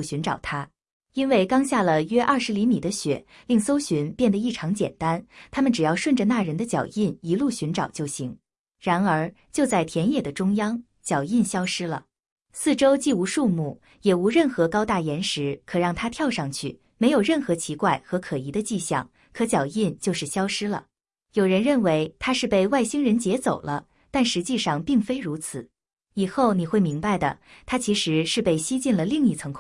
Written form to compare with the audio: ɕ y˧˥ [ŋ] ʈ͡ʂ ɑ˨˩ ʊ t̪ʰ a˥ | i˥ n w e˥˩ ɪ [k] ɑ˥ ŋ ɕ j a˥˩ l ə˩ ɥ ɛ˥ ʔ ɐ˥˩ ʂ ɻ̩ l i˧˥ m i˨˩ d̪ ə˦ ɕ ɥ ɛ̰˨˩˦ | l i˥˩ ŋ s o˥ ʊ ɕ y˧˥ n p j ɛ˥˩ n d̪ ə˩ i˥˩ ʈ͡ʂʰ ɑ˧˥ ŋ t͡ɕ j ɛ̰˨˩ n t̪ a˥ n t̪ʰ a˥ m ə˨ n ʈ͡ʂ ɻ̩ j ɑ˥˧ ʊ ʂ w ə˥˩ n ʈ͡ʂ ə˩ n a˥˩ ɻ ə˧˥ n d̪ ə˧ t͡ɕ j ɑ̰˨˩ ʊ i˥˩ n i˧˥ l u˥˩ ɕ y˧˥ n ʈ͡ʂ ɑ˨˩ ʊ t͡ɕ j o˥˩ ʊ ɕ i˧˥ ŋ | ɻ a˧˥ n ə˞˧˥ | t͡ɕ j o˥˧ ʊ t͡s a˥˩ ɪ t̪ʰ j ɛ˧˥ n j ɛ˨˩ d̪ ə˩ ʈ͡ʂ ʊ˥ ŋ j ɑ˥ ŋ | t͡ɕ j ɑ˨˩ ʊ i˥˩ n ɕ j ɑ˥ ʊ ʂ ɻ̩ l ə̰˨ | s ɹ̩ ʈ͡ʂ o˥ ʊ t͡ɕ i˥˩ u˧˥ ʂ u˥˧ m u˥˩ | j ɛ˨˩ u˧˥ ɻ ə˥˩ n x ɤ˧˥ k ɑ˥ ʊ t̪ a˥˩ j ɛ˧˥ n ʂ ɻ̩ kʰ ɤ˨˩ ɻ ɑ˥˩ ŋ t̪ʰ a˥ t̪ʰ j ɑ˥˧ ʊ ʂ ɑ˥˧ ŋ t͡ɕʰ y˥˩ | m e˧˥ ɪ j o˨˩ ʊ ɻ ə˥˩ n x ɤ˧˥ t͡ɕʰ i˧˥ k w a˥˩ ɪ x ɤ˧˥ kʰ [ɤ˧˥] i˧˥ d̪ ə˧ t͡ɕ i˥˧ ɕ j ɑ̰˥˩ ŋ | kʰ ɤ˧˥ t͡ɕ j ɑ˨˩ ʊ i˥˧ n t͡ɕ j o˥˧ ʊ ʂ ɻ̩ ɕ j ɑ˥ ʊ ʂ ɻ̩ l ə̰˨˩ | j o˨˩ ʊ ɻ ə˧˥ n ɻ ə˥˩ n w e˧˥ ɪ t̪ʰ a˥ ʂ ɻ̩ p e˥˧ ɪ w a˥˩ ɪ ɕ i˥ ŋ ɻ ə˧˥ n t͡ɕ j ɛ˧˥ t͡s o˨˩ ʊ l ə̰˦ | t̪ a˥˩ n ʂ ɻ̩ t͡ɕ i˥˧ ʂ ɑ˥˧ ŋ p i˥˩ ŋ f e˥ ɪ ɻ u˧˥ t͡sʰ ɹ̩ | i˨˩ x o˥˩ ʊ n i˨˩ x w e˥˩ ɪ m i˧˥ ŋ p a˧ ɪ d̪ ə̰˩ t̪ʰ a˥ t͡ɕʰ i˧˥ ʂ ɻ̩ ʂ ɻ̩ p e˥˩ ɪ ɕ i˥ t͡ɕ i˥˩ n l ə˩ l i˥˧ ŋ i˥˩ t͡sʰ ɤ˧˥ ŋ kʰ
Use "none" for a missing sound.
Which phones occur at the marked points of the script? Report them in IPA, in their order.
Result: n, k, ɤ˨˩

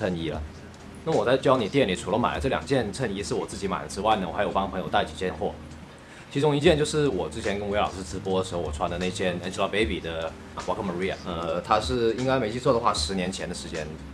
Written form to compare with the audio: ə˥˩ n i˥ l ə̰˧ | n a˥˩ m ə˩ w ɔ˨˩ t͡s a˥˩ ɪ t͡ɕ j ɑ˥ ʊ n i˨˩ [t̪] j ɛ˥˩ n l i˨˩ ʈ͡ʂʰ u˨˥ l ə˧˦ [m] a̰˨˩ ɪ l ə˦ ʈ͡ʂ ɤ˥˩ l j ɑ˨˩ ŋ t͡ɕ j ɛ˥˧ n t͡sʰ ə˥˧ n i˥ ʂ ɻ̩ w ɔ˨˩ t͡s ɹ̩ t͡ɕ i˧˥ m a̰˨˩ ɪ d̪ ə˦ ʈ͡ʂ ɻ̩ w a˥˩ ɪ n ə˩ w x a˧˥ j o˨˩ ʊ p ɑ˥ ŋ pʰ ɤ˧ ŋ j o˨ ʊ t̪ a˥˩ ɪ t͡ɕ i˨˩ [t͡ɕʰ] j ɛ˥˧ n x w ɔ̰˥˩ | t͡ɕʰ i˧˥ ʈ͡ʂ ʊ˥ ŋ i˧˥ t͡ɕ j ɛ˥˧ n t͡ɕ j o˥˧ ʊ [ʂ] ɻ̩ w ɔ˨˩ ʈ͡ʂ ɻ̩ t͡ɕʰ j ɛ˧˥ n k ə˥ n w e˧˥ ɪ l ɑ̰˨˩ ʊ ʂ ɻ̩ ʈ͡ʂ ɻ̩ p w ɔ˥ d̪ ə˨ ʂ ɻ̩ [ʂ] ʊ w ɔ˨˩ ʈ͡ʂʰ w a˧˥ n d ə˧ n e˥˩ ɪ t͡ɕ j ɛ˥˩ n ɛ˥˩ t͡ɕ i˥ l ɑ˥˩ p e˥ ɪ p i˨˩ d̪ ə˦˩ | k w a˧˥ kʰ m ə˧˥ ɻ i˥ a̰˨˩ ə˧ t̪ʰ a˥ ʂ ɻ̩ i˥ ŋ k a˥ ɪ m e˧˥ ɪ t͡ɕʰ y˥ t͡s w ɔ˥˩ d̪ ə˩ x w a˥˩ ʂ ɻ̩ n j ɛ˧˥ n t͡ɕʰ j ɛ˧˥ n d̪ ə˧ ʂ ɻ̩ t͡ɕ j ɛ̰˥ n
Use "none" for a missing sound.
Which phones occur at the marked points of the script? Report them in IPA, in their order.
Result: t̪, m, t͡ɕ, ʂ, x

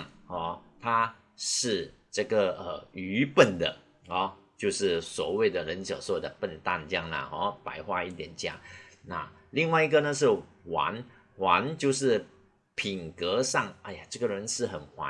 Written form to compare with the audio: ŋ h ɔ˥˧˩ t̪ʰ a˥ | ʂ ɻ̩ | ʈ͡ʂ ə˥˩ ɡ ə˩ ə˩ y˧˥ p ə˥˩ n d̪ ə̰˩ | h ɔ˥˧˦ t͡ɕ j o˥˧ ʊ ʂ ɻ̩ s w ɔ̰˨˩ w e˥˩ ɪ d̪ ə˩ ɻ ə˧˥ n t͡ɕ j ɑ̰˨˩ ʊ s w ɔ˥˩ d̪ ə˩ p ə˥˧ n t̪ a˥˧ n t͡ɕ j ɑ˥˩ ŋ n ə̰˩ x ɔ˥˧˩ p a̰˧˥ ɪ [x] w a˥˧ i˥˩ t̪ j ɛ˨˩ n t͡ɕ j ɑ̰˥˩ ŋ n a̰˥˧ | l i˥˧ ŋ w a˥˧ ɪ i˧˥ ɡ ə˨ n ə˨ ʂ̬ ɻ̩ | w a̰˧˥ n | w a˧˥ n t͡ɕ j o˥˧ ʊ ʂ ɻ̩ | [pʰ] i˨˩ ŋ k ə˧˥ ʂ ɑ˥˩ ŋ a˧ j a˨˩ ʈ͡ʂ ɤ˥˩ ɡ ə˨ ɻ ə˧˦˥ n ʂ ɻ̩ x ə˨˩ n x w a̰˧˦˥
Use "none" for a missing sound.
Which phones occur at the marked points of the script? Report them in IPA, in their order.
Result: x, pʰ

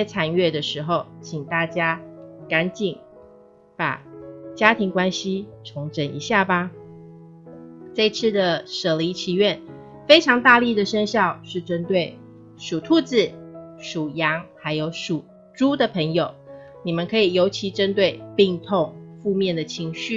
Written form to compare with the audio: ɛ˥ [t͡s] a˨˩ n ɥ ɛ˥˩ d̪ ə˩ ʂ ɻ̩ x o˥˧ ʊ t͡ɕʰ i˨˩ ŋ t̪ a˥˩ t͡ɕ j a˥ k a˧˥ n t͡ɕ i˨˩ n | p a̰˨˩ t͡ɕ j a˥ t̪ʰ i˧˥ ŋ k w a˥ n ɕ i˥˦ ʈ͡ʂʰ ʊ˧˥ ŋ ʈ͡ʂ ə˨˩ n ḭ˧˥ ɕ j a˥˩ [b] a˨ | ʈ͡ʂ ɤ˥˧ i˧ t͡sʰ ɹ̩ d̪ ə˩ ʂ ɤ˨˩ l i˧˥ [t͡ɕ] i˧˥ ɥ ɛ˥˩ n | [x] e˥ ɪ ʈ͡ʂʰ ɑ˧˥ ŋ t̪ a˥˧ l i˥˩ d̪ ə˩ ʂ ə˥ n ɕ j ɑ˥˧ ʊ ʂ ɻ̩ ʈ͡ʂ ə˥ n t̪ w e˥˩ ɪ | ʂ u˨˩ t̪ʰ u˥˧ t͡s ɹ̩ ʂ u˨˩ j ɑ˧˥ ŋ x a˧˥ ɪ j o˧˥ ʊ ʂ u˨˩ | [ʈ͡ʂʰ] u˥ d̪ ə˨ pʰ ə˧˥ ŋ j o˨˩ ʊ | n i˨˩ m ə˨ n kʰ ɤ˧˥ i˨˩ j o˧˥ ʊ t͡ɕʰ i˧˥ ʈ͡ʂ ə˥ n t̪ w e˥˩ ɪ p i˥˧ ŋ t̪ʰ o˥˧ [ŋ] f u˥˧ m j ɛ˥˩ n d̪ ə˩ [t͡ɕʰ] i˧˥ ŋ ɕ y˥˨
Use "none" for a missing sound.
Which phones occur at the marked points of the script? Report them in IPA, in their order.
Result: t͡sʰ, b, t͡ɕʰ, f, ʈ͡ʂ, ŋ, t͡ɕʰ

